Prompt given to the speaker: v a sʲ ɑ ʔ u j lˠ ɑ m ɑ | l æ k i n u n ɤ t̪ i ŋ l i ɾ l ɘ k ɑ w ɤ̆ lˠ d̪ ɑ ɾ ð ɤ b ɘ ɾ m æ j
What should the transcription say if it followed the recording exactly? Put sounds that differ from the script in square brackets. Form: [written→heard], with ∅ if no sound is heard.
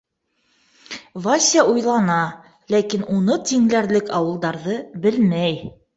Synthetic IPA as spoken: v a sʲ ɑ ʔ u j lˠ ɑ [m→n] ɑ | l æ k i n u n ɤ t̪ i ŋ l [i→æ] ɾ l ɘ k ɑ w ɤ̆ lˠ d̪ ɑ ɾ ð ɤ b ɘ [ɾ→l] m æ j